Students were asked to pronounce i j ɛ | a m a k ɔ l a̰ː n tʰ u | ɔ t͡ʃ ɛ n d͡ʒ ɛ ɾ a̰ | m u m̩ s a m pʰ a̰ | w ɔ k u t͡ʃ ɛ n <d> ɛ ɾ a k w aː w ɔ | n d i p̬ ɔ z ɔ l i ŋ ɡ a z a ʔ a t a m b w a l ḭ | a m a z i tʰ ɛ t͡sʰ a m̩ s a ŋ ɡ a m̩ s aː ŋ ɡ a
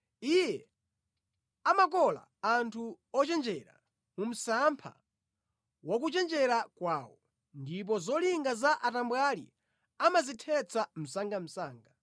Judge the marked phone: incorrect: d͡ʒ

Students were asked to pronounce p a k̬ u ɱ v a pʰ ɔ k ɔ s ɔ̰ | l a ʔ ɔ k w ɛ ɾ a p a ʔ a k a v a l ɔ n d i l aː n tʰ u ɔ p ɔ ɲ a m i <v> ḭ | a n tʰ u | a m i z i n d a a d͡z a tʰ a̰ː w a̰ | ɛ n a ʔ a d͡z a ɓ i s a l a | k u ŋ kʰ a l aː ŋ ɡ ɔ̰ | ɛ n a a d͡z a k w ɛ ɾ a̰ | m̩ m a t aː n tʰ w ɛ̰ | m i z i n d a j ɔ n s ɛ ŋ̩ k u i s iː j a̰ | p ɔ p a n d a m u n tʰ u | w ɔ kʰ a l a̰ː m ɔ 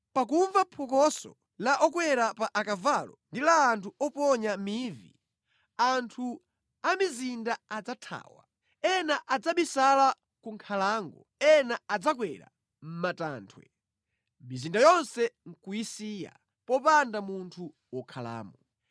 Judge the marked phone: correct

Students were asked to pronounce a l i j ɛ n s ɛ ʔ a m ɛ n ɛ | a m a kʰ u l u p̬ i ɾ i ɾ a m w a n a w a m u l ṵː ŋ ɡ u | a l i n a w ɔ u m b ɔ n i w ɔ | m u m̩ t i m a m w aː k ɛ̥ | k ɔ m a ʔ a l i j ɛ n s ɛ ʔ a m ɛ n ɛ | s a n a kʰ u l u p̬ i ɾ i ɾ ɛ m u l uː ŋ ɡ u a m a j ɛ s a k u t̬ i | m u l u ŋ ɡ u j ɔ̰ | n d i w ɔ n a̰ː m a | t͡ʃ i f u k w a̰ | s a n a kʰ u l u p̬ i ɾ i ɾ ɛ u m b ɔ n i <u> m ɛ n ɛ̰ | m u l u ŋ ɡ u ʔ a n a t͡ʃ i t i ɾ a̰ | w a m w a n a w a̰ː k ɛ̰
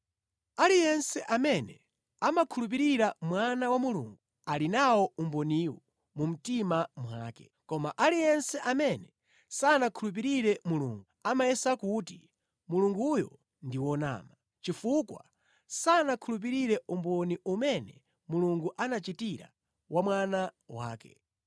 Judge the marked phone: correct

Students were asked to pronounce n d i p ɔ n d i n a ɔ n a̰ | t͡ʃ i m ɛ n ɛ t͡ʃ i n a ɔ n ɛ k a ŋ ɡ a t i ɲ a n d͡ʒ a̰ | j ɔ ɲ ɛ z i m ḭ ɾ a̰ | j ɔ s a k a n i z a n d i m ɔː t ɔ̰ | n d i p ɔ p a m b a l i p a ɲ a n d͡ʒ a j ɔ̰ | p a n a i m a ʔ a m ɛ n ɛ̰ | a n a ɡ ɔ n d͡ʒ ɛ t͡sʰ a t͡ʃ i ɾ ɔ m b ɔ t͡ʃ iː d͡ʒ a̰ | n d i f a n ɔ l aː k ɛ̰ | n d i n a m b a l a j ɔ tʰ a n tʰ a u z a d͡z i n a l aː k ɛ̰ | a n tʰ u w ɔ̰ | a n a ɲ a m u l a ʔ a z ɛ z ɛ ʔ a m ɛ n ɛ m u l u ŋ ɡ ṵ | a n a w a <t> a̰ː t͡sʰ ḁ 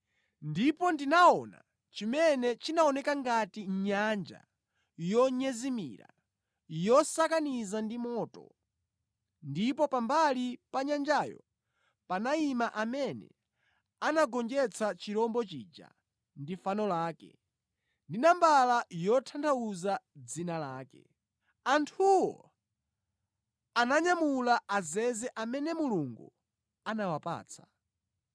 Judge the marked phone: incorrect: p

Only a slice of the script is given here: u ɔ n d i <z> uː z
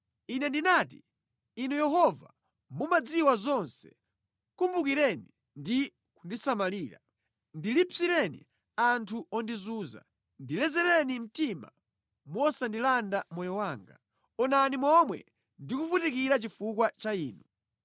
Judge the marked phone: correct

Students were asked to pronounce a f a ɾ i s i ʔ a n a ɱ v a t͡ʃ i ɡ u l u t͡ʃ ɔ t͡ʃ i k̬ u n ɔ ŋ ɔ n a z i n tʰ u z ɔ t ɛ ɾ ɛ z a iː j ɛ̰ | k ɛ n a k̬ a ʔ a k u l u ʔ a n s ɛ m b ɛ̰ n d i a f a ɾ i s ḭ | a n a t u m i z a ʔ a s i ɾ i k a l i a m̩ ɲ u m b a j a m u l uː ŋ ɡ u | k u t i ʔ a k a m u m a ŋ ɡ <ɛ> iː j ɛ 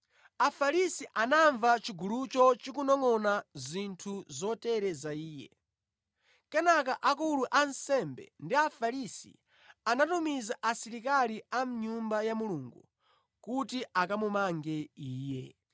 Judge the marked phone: correct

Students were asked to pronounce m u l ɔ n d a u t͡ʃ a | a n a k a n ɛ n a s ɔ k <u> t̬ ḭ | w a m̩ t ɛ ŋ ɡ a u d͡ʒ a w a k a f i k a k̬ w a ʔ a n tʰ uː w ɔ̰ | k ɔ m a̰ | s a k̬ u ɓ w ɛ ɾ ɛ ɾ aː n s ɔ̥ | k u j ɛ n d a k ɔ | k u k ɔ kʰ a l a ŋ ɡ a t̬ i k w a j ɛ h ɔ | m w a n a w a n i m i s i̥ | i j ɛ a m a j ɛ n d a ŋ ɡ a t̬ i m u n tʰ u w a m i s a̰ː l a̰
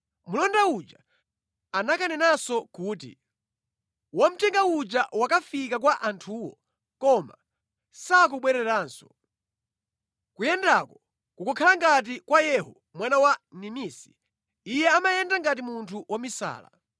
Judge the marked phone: incorrect: uː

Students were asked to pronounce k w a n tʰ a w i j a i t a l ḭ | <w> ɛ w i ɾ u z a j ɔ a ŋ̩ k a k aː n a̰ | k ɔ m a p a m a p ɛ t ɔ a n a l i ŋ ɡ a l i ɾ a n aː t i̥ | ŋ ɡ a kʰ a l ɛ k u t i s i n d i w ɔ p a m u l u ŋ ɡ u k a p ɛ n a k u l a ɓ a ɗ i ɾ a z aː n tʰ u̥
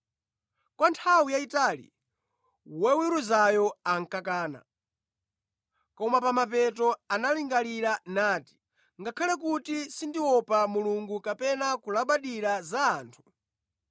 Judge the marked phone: correct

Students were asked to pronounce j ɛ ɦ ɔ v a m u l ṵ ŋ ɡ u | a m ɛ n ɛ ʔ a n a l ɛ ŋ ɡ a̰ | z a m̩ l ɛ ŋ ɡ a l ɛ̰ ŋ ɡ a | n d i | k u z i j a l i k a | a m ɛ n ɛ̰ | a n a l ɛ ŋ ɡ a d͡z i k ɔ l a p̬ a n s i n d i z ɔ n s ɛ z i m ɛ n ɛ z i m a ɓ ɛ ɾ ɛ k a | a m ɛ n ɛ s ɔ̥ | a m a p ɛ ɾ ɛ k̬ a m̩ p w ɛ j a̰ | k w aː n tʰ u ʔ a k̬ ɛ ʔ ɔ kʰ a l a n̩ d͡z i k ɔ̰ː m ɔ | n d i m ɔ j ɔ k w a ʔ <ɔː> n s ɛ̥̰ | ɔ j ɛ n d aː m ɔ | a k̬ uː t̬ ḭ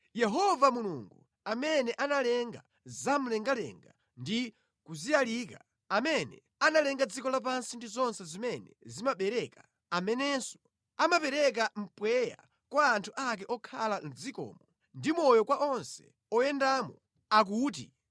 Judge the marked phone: incorrect: ɔ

